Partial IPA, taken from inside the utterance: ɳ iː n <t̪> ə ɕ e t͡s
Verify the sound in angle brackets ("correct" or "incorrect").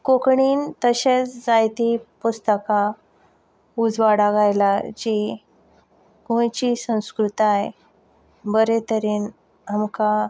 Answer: correct